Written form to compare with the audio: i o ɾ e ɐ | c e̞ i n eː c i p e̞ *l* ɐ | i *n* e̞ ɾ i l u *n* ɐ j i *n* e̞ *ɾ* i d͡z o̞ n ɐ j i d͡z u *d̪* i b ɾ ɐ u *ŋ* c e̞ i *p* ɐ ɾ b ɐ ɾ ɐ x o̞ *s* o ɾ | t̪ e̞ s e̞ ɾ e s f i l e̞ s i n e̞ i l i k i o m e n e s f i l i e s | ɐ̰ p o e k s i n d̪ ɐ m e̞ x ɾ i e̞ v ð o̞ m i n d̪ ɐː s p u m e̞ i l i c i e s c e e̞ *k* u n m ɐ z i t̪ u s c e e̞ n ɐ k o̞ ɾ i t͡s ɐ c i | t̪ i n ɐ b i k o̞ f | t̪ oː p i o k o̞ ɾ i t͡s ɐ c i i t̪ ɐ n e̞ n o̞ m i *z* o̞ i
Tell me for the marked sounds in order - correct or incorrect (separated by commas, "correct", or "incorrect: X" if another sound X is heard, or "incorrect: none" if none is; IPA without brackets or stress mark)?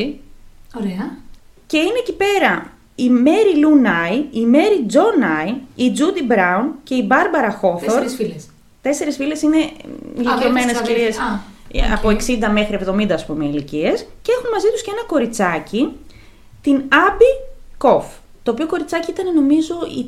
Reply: incorrect: ɾ, incorrect: m, correct, incorrect: m, correct, correct, incorrect: n, incorrect: b, incorrect: θ, incorrect: x, correct